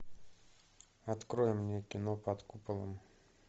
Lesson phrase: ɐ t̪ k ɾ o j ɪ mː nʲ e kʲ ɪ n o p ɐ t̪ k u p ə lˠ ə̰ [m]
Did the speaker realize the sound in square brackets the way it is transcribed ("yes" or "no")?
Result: yes